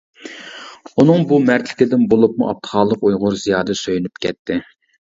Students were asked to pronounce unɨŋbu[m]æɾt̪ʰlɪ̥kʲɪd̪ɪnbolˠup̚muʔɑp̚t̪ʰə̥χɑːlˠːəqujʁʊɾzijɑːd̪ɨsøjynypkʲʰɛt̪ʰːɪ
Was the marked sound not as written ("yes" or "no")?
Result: no